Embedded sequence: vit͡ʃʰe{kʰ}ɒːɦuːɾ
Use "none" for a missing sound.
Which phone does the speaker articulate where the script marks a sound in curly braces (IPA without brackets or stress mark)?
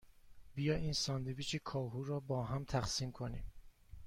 kʰ